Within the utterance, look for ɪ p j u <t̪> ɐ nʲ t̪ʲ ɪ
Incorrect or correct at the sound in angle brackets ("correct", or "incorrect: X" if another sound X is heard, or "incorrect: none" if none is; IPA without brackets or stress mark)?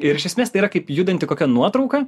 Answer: incorrect: d̪